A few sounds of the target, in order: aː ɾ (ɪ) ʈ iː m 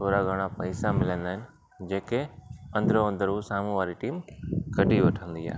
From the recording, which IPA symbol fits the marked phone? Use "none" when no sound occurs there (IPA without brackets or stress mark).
i